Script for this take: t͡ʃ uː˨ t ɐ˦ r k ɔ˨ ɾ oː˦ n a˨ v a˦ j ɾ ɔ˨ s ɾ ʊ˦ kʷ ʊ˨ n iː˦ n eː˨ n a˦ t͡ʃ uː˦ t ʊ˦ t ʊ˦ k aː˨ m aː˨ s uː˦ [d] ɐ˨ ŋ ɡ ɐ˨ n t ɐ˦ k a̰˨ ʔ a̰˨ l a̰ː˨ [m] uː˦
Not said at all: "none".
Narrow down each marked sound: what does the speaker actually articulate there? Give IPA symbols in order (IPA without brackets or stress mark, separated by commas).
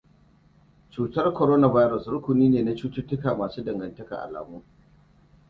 d, m